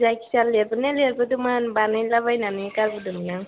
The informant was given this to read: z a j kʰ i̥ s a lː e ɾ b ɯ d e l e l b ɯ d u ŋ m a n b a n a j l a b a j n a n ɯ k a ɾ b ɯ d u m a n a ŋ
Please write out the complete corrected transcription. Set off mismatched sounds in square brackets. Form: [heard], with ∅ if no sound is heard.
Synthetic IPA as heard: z a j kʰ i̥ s a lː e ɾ b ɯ [n] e l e [ɾ] b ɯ d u [∅] m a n b a n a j l a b a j n a n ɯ k a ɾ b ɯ d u m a n a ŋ